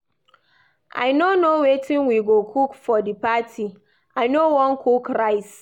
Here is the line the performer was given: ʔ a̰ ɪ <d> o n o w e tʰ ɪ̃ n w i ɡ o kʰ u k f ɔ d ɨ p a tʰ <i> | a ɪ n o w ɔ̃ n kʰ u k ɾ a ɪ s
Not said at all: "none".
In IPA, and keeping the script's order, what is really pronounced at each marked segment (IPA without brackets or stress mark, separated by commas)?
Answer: n, i